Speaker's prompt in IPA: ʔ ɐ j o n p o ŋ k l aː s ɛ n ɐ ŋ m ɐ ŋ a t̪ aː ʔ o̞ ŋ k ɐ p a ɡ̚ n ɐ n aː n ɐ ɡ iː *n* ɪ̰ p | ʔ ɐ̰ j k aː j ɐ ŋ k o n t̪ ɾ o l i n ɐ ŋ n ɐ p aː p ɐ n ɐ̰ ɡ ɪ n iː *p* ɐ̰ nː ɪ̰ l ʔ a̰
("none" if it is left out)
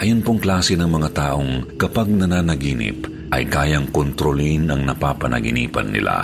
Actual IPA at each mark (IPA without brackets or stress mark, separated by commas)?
n, p